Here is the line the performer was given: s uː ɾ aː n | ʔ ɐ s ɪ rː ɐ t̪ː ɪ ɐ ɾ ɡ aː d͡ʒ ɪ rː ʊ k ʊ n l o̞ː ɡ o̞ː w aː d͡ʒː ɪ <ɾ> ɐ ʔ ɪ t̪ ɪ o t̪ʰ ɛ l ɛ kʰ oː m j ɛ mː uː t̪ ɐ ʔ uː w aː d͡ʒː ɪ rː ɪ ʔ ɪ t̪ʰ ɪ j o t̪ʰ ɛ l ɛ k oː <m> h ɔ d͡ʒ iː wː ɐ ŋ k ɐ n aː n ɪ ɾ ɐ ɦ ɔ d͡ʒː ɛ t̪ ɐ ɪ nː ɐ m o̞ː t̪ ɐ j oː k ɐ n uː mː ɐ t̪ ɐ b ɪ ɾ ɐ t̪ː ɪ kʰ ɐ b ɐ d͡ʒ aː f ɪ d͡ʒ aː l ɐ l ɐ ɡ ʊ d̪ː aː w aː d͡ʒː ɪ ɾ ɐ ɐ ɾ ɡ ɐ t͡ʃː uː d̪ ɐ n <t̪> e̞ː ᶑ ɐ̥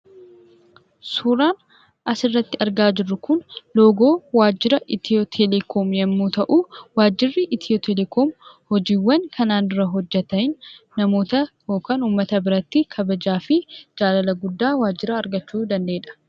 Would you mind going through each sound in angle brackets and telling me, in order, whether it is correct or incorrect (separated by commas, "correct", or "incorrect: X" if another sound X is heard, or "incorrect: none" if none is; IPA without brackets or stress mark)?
correct, correct, incorrect: d̪